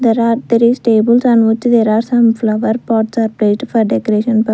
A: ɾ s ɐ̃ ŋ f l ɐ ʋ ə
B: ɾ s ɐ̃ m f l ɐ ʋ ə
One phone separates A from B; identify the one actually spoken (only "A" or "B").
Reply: B